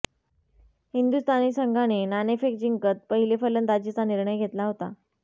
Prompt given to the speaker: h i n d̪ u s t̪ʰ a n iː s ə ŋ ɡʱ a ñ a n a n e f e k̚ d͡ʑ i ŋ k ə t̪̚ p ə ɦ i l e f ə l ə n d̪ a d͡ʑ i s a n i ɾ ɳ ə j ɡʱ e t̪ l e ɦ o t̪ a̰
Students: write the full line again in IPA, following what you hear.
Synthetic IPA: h i n d̪ u s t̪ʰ a n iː s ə ŋ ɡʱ a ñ e n a n e f e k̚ d͡ʑ i ŋ k ə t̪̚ p ə ɦ i l e f ə l ə n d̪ a d͡ʑ i t͡s a n i ɾ ɳ ə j ɡʱ e t̪ l a ɦ o t̪ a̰